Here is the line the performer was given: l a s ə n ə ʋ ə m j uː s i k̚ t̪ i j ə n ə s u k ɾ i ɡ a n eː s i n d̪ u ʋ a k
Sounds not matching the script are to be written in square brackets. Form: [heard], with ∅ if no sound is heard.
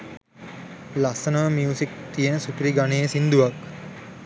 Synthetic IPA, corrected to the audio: l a s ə n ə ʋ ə m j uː s i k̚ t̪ i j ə n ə s u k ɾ i ɡ a n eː s i n d̪ u ʋ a k